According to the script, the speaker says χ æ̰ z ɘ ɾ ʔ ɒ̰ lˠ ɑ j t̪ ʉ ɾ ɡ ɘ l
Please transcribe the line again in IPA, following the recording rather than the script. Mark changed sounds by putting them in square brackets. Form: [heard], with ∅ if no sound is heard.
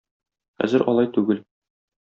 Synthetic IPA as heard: χ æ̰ z ɘ ɾ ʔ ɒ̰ lˠ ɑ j t̪ ʉ [∅] ɡ ɘ l